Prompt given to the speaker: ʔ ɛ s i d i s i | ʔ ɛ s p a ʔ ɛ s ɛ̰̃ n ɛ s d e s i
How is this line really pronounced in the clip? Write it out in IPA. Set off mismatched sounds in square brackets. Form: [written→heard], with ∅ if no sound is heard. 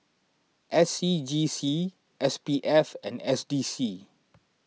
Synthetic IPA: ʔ ɛ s i [d→d͡ʒ] i s i | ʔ ɛ s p [a→i] ʔ ɛ [s→f] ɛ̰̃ n ɛ s d [e→i] s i

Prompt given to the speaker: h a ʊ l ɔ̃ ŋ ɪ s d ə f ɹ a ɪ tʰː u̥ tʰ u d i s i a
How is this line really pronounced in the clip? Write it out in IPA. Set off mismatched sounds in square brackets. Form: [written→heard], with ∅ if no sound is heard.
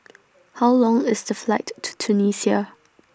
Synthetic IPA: h a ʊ l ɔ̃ ŋ ɪ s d ə f [ɹ→l] a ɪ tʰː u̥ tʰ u [d→n] i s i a

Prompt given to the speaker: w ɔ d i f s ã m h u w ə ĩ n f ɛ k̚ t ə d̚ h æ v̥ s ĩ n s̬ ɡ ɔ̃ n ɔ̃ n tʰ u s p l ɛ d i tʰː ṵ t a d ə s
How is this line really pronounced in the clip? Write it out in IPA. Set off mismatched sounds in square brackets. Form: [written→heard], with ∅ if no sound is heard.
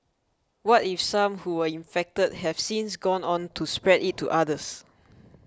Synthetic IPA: w ɔ [d→t] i f s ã m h u w ə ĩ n f ɛ k̚ t ə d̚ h [æ→ɛ] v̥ s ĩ n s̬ ɡ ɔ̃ n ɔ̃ n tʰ u s p [l→ɹ] ɛ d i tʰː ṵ [t→ʔ] a d ə s

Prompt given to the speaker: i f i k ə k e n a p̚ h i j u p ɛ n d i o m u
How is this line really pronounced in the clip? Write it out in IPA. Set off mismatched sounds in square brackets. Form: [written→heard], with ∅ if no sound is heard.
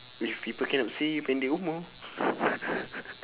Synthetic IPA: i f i [k→p] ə k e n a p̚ [h→s] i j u p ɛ n d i [o→u] m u

